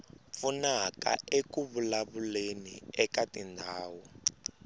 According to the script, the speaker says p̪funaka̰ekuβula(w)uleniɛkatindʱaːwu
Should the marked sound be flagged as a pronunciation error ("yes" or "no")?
yes